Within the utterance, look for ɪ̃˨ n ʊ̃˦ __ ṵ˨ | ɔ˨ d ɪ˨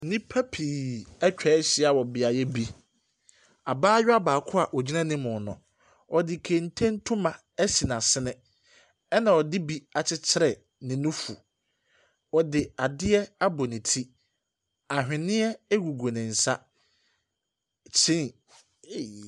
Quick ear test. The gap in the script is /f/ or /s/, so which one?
f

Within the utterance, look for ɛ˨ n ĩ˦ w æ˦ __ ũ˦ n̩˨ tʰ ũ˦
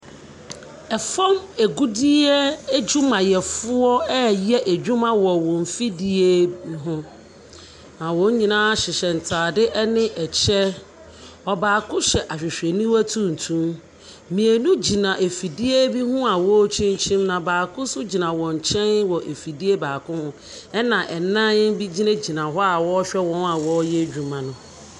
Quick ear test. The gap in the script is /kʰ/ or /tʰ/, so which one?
tʰ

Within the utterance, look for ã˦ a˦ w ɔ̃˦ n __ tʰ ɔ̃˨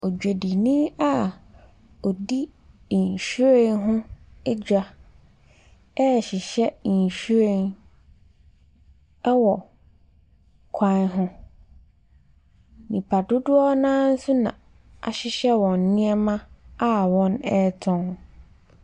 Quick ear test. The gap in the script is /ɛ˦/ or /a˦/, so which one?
ɛ˦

